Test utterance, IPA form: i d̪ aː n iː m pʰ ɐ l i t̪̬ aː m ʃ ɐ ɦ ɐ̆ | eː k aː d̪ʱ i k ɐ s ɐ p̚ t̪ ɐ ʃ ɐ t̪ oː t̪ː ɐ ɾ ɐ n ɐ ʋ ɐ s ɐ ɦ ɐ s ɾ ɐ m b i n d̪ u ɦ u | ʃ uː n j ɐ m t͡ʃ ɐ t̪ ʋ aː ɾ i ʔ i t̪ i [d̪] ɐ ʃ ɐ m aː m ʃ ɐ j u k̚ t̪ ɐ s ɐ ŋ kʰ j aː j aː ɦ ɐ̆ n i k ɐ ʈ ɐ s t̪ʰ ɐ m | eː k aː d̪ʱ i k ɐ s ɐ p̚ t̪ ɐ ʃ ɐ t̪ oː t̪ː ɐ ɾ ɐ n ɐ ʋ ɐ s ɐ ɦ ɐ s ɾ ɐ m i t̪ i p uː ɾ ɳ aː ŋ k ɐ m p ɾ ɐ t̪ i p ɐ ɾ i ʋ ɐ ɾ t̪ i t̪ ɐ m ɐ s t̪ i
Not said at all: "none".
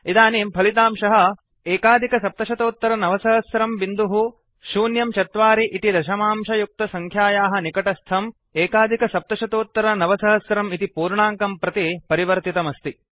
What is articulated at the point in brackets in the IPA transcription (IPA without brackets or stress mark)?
d̪